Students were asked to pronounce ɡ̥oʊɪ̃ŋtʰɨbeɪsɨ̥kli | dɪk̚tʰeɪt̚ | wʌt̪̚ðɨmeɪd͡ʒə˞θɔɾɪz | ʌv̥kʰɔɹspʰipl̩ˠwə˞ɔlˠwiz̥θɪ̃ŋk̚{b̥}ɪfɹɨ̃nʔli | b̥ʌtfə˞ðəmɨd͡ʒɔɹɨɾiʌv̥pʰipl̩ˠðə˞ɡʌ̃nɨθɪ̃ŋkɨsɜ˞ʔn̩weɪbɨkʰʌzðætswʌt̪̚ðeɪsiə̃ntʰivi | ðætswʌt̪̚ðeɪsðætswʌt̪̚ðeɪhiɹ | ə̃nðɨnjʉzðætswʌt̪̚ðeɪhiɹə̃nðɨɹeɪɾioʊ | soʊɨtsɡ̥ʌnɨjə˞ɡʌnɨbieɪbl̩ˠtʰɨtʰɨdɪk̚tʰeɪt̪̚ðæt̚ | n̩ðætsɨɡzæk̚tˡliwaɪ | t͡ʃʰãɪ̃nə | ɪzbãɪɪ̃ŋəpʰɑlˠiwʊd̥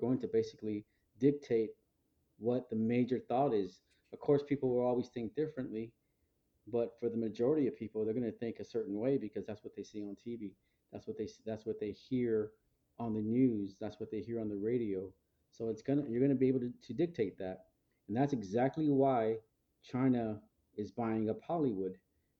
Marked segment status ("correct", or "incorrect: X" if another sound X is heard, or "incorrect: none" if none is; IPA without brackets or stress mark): incorrect: d̥